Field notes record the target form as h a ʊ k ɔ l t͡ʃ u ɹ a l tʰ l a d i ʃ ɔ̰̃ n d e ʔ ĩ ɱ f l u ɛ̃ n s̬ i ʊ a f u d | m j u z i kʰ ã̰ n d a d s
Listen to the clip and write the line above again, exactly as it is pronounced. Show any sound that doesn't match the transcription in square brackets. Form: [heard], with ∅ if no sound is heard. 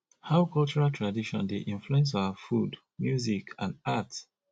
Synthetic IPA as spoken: h a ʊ k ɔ l t͡ʃ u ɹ a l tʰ [ɹ] a d i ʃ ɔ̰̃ n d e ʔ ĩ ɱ f l u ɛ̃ n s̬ [a] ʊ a f u d | m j u z i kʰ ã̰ n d a [t] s